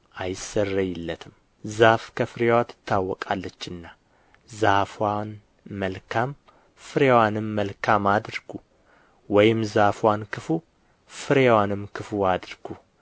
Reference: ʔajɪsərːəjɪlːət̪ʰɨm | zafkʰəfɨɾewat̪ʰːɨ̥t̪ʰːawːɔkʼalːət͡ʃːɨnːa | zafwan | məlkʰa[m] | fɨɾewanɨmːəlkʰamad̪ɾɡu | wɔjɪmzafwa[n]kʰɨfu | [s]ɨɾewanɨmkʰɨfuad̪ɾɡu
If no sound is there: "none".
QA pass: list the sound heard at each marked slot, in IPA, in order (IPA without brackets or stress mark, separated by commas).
m, n, f